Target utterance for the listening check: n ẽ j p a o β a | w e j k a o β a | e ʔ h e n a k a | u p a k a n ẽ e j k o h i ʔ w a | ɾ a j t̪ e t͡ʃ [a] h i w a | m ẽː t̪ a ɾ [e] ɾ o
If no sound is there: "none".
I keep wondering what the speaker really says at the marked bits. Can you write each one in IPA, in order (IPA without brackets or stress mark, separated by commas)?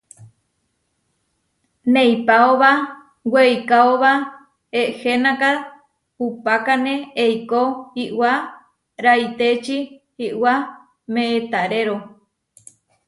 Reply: i, e